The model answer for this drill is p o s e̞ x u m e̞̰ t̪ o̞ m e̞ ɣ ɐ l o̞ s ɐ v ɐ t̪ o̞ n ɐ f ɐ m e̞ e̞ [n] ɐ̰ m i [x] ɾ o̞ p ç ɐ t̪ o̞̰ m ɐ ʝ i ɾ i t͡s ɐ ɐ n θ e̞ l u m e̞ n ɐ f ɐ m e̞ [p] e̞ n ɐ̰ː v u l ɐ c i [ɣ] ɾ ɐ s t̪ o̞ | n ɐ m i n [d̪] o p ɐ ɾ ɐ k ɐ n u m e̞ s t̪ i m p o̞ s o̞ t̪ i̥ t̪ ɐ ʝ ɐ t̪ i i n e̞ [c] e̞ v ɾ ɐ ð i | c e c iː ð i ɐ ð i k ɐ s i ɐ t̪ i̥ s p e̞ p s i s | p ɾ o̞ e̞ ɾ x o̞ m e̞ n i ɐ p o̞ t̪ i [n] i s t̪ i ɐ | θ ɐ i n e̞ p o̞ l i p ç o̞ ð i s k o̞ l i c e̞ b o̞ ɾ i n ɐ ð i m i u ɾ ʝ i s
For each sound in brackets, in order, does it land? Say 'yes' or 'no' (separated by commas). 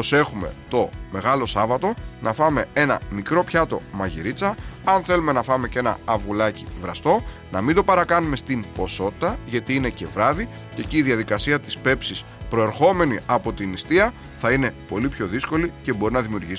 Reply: yes, no, no, no, yes, yes, yes